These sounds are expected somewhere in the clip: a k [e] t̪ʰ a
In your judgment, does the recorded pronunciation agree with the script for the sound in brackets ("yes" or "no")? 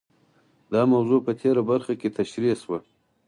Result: yes